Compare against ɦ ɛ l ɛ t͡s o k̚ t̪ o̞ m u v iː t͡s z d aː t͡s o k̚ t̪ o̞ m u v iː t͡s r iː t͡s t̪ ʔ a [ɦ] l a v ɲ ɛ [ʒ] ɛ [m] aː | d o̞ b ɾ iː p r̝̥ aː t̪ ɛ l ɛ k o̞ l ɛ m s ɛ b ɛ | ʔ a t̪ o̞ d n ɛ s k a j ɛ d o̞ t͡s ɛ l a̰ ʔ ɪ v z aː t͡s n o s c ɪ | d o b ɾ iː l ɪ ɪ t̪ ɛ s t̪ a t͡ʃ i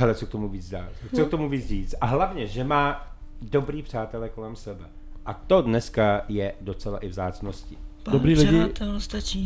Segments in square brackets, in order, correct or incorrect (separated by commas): correct, correct, correct